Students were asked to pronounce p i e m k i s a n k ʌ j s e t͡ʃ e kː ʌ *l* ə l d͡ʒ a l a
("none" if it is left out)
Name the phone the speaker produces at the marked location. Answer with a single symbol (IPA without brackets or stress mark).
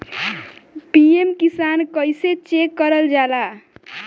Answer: ɾ